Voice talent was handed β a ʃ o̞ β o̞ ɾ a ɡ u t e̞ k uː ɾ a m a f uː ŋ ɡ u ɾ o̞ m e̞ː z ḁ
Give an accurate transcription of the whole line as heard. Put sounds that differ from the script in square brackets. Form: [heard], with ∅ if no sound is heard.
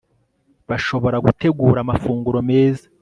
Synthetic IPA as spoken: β a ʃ o̞ β o̞ ɾ a ɡ u t e̞ [ɡ] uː ɾ a m a f uː ŋ ɡ u ɾ o̞ m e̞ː z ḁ